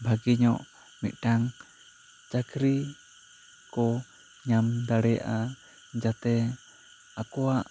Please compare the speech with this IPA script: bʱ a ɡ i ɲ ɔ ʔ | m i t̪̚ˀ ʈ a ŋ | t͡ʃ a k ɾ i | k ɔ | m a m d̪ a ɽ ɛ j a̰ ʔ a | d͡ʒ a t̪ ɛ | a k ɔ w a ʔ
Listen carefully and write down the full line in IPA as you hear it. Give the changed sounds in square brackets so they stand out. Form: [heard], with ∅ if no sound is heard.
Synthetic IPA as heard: bʱ a ɡ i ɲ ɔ ʔ | m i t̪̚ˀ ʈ a ŋ | t͡ʃ a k ɾ i | k ɔ | [ɲ] a m d̪ a ɽ ɛ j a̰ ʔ a | d͡ʒ a t̪ ɛ | a k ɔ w a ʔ